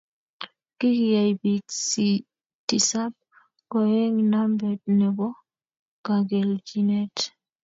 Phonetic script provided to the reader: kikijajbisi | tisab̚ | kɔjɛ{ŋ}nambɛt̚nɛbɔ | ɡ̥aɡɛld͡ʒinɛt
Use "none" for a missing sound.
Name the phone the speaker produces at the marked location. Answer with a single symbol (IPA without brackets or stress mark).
ŋ